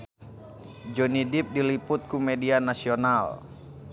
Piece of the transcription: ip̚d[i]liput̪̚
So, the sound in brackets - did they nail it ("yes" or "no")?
yes